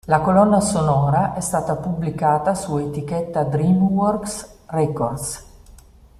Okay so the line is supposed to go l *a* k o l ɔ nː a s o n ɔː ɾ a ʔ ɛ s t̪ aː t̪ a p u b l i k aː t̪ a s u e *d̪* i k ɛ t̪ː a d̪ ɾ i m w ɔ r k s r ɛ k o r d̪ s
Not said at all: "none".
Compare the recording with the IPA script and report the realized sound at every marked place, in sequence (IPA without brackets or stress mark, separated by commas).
a, t̪